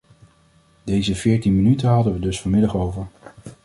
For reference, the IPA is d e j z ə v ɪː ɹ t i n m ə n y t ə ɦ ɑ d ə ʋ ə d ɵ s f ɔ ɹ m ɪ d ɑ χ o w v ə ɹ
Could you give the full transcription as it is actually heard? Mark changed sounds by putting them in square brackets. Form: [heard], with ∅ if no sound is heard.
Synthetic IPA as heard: d e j z ə v ɪː ɹ t i n m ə n y t ə ɦ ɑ d ə ʋ ə d ɵ s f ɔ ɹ m ɪ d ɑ χ o w v ə ɹ